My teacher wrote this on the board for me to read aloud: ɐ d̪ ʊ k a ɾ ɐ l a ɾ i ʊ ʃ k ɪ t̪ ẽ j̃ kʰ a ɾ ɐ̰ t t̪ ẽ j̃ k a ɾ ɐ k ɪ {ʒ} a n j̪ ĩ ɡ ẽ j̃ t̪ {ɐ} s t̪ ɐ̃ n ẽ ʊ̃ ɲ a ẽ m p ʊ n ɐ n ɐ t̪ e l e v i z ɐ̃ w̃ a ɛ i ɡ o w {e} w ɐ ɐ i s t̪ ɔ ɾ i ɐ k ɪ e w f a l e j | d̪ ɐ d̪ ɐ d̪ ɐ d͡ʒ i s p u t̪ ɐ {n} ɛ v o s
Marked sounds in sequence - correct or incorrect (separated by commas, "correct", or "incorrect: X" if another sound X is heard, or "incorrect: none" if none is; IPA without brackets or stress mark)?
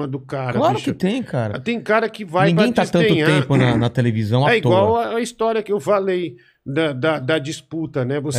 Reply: incorrect: v, incorrect: a, incorrect: a, correct